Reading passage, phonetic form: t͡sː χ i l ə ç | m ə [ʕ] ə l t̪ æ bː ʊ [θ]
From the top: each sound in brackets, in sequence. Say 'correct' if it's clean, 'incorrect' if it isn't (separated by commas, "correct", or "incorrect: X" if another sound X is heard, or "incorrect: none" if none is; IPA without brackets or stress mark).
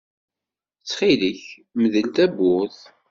incorrect: ð, correct